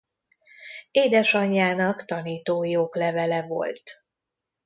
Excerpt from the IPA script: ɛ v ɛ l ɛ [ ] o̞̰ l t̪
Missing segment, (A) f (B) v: B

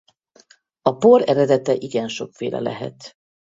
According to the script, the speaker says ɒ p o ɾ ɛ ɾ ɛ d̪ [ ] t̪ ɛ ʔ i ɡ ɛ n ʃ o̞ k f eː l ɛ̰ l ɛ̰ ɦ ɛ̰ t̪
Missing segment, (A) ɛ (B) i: A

